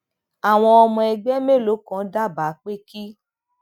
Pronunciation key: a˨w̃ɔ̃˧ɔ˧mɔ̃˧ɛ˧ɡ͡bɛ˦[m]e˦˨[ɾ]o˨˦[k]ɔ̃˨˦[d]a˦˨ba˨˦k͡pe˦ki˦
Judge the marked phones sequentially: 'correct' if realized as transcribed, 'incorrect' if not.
correct, incorrect, correct, correct

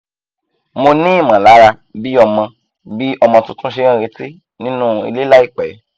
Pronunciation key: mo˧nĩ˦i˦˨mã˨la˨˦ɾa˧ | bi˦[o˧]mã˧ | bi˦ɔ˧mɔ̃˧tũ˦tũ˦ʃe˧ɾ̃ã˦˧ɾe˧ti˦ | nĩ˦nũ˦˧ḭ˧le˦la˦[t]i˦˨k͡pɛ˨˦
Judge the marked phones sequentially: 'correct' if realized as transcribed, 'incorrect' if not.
incorrect, incorrect

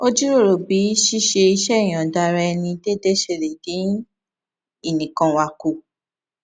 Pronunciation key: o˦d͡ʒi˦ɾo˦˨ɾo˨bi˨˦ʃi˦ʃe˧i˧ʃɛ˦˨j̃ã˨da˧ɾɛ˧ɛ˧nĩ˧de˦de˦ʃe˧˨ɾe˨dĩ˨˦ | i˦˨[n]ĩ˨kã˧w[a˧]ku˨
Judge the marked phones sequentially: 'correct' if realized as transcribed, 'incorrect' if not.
correct, correct

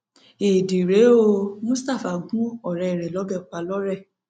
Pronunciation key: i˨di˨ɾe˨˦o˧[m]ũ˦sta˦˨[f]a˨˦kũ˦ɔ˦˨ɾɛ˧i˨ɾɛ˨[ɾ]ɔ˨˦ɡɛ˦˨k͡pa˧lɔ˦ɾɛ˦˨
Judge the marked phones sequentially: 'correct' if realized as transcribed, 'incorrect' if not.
correct, correct, incorrect

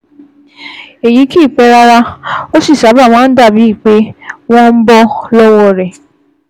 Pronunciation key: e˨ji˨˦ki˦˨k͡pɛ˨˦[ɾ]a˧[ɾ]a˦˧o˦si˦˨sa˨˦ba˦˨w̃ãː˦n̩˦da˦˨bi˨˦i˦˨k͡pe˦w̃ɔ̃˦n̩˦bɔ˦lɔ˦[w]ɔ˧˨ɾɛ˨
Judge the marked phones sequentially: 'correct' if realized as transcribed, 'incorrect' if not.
correct, correct, correct

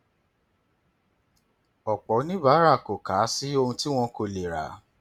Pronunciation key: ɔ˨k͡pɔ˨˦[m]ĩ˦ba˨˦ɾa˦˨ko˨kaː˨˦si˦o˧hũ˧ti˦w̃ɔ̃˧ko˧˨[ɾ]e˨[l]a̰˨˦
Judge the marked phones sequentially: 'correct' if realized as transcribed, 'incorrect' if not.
incorrect, incorrect, incorrect

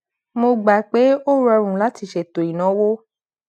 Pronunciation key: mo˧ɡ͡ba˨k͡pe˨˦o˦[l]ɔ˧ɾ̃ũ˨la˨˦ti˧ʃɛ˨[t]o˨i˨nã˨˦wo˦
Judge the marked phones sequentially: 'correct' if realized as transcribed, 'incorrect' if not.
incorrect, correct

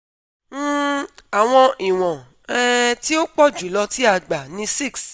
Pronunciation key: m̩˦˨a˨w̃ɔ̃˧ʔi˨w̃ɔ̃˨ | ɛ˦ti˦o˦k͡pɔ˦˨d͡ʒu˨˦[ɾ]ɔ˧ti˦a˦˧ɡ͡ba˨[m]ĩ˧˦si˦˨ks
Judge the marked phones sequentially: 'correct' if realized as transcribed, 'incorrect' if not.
incorrect, incorrect

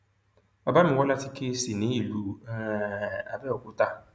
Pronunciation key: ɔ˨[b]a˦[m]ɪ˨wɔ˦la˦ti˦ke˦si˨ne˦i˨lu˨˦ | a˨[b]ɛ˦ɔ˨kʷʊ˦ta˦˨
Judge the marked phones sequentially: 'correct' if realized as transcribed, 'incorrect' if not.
correct, correct, correct

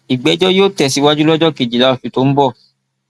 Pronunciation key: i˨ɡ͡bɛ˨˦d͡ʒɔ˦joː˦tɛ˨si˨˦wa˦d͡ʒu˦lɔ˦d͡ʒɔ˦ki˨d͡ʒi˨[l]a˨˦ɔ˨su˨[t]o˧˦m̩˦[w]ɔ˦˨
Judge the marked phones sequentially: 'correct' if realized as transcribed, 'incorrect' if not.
correct, correct, incorrect

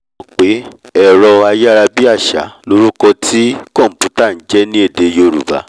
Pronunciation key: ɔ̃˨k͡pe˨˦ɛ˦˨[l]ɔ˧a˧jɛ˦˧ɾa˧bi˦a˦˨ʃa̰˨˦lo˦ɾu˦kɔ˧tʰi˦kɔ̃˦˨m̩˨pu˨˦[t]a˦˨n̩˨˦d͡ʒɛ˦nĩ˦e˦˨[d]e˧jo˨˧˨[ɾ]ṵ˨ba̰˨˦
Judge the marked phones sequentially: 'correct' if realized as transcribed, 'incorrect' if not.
incorrect, correct, correct, correct

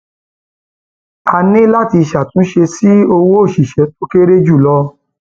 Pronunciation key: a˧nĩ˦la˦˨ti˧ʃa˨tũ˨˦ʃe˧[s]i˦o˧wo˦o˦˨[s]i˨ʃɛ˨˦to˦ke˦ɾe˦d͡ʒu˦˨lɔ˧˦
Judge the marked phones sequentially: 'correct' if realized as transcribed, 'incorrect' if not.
correct, incorrect

